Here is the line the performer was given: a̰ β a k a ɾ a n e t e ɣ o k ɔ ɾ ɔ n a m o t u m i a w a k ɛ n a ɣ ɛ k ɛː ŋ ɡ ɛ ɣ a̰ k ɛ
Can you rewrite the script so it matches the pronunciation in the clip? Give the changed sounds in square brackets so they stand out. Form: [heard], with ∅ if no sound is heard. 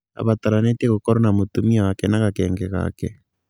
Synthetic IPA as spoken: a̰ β a [t] a ɾ a n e t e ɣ o k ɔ ɾ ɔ n a m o t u m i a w a k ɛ n a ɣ [a] k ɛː ŋ ɡ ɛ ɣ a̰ k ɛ